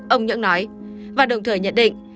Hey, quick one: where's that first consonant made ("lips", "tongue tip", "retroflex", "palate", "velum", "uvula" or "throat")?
throat